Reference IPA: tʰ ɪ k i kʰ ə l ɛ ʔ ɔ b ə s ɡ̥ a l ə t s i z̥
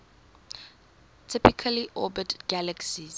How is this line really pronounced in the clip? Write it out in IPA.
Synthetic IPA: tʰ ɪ p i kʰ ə l i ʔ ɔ b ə t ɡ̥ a l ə k s i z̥